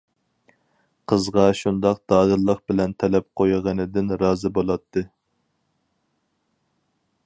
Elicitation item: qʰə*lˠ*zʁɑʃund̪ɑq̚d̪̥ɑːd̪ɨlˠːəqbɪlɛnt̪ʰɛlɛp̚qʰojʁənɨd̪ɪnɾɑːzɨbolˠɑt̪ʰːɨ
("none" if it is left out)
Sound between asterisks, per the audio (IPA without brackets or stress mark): none